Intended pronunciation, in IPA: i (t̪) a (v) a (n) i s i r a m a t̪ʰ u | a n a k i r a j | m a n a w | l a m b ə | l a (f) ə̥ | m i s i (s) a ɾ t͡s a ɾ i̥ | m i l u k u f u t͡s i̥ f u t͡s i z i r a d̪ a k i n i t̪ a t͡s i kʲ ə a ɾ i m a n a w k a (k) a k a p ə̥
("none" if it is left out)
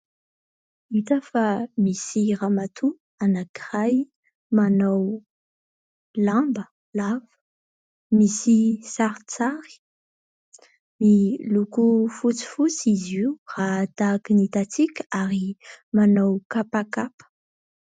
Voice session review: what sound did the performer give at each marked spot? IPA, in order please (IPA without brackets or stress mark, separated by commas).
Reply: t̪, f, m, v, s, p